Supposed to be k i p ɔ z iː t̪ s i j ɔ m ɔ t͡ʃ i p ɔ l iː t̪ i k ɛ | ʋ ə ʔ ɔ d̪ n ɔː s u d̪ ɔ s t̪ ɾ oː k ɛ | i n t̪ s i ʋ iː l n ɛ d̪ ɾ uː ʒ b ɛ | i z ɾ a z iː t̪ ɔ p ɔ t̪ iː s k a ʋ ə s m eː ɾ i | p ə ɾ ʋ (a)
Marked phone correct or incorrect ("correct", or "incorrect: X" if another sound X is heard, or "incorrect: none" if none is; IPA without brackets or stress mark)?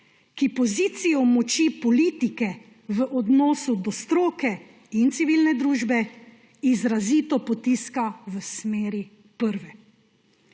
incorrect: ɛ